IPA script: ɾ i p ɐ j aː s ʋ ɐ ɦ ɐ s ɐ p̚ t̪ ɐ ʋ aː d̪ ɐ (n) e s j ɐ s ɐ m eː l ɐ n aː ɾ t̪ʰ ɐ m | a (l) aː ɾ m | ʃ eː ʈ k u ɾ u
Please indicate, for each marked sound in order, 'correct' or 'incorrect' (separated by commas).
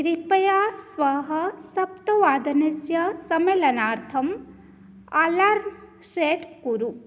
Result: correct, correct